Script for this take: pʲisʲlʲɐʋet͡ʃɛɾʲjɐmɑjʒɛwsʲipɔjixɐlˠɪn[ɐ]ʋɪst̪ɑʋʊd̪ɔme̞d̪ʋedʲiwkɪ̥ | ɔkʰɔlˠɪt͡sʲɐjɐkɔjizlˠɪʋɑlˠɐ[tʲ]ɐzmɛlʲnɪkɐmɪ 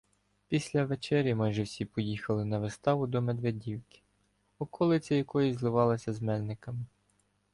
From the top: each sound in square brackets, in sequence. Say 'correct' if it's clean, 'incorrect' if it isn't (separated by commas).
correct, incorrect